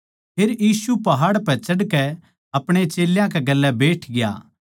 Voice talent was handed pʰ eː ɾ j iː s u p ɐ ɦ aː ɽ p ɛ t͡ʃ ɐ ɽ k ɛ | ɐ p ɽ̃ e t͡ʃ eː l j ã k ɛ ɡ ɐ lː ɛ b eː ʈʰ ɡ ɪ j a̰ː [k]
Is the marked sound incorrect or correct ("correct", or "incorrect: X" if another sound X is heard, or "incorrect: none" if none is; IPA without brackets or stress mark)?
incorrect: none